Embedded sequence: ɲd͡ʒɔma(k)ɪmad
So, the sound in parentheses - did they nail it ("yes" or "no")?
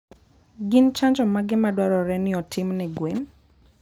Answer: no